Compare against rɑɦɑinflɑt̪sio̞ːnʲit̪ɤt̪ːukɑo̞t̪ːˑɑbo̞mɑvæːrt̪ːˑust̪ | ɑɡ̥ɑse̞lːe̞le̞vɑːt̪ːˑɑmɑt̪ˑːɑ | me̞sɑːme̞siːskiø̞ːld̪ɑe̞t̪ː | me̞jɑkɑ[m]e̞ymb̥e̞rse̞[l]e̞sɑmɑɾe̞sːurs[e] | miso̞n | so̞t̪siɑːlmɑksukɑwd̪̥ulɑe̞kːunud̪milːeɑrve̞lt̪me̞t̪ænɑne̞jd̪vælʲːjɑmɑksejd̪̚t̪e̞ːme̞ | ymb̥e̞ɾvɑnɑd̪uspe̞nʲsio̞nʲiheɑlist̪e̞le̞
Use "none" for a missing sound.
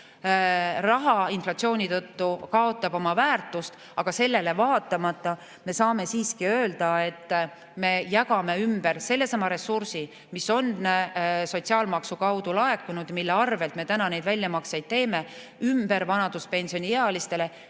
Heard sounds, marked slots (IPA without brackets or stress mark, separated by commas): m, lː, i